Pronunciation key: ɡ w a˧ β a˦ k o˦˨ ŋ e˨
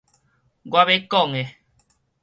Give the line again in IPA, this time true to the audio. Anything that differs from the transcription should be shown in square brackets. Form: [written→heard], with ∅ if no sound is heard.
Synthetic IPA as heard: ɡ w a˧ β [a˦→e˦] k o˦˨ ŋ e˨